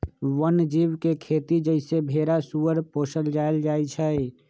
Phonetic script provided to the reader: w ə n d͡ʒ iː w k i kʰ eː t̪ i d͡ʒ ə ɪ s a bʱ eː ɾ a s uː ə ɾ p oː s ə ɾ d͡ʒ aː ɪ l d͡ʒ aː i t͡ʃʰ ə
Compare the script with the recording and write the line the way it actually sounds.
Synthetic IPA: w ə n d͡ʒ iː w k e kʰ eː t̪ i d͡ʒ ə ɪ s e bʱ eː ɾ a s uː ə ɾ p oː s ə l d͡ʒ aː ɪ l d͡ʒ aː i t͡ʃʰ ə